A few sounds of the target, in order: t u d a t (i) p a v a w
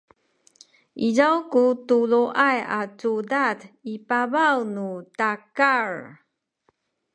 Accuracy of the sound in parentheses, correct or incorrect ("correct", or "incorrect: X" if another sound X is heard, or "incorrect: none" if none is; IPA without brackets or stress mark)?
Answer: correct